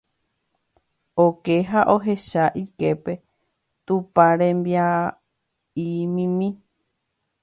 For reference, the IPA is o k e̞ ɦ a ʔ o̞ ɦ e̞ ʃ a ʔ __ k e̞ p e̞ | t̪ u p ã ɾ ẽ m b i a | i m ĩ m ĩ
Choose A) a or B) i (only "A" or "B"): B